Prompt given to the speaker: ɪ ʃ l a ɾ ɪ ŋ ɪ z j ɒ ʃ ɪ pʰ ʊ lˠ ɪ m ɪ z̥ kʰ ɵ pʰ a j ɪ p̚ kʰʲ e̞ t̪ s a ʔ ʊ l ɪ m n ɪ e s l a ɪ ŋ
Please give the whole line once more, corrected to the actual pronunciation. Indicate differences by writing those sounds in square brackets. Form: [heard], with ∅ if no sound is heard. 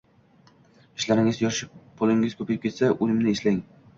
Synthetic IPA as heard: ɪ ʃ l a ɾ ɪ ŋ ɪ z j ɒ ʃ ɪ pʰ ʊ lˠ ɪ [ŋ] ɪ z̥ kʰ ɵ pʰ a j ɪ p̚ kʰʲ e̞ t̪ s a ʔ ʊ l ɪ m n ɪ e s l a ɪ ŋ